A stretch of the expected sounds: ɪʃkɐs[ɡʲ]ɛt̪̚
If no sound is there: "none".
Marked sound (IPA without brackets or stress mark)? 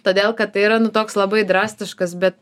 bʲ